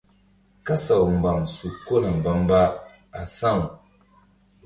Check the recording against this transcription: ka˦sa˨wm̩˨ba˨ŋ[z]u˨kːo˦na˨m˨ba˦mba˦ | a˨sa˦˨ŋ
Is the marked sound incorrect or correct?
incorrect